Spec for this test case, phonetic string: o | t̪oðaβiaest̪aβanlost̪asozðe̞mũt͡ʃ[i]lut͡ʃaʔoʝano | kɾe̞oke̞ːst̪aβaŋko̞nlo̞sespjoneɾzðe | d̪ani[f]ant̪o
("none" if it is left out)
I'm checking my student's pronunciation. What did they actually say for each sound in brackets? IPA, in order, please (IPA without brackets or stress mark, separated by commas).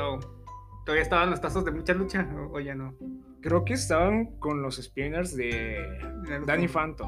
a, f